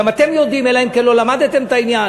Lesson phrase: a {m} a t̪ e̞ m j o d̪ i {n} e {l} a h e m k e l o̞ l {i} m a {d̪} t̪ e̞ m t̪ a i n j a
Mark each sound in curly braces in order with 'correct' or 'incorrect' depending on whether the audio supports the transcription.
correct, incorrect: m, correct, incorrect: a, correct

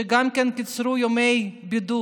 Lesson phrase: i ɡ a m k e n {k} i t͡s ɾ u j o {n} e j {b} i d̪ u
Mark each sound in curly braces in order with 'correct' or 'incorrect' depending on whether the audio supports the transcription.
correct, incorrect: m, correct

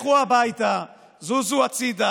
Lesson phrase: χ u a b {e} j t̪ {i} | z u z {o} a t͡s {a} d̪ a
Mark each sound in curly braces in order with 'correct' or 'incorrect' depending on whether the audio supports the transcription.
incorrect: a, incorrect: a, incorrect: u, incorrect: i

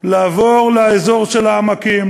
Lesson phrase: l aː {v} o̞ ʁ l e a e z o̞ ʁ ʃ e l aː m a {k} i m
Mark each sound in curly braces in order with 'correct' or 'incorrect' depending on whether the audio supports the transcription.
correct, correct

